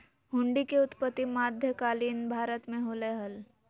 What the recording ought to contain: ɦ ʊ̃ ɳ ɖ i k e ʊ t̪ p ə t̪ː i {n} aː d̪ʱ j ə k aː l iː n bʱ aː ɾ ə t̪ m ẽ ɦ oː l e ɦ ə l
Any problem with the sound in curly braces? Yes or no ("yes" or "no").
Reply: yes